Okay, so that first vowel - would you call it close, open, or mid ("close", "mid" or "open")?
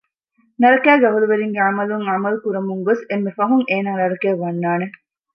open